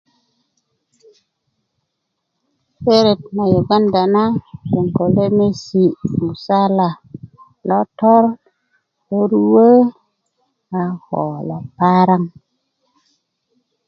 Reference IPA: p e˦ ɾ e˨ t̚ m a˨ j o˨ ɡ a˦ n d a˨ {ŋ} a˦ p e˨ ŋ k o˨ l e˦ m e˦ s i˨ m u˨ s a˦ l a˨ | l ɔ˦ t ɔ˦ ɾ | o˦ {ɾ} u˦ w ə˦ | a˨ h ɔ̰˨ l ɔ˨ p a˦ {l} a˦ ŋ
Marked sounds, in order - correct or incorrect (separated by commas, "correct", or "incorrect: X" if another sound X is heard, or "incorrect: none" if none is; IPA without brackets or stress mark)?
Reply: incorrect: n, correct, incorrect: ɾ